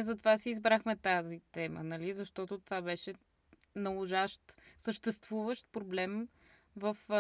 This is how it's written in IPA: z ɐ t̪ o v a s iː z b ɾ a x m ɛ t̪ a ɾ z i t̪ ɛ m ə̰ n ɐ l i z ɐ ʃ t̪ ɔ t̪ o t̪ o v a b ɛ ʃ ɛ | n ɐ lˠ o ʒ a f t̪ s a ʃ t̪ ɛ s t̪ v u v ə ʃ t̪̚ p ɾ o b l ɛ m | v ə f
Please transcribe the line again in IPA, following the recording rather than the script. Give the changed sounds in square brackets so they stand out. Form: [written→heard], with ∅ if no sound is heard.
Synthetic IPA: z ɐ t̪ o v a s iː z b ɾ a x m ɛ t̪ a [ɾ→∅] z i t̪ ɛ m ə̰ n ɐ l i z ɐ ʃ t̪ ɔ t̪ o t̪ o v a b ɛ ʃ ɛ | n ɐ lˠ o ʒ a [f→ʃ] t̪ s [a→ə] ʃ t̪ ɛ s t̪ v u v ə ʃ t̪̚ p ɾ o b l ɛ m | v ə f